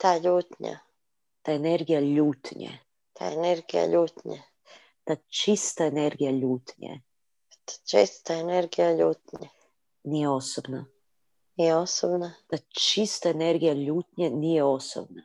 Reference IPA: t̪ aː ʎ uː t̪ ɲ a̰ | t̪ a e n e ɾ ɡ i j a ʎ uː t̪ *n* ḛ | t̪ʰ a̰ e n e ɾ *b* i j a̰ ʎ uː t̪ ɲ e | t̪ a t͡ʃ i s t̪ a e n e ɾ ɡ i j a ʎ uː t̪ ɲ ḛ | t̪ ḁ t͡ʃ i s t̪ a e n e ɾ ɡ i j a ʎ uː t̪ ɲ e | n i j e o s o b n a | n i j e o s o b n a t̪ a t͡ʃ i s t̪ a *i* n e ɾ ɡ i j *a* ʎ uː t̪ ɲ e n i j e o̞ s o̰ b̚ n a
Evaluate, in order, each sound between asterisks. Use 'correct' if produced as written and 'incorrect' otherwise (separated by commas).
incorrect, incorrect, incorrect, correct